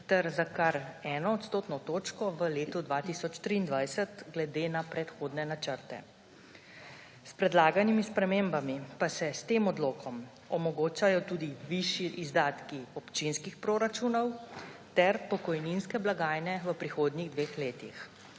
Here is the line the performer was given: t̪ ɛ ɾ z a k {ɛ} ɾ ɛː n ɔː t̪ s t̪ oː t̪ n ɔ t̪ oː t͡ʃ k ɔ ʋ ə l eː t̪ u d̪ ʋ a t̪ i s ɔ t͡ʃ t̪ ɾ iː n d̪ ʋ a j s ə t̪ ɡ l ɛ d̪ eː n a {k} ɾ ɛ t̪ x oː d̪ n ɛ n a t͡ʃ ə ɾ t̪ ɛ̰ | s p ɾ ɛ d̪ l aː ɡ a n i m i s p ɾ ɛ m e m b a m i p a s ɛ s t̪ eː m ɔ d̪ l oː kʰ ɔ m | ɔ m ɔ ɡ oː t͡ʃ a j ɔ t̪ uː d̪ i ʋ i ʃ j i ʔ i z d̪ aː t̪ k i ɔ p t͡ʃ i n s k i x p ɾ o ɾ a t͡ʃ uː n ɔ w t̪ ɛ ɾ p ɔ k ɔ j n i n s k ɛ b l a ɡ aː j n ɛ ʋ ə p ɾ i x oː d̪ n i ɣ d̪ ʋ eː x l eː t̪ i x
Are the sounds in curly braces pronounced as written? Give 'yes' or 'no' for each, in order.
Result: no, no

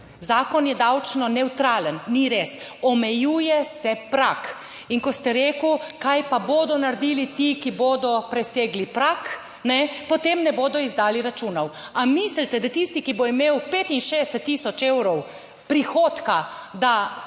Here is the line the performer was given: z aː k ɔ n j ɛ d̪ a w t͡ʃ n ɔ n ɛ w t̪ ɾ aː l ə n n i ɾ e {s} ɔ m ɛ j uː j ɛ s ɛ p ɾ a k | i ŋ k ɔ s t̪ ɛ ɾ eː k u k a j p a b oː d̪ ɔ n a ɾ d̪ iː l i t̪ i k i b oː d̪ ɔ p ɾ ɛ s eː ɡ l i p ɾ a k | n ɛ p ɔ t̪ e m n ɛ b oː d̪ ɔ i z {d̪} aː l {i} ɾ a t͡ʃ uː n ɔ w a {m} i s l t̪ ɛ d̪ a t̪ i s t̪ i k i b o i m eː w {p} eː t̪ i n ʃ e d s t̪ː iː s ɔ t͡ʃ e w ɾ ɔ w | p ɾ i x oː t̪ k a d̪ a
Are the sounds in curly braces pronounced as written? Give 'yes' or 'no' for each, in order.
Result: yes, yes, yes, yes, yes

